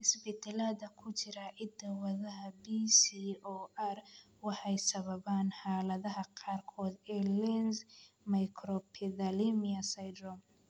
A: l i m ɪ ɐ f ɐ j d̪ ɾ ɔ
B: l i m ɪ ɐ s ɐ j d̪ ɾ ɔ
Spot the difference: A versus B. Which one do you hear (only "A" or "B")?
B